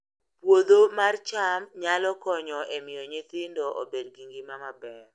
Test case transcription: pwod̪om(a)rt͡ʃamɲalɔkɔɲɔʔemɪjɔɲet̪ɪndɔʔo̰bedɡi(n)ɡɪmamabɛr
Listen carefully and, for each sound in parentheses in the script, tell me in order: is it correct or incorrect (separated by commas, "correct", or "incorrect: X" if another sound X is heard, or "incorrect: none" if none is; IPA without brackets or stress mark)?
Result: correct, incorrect: ŋ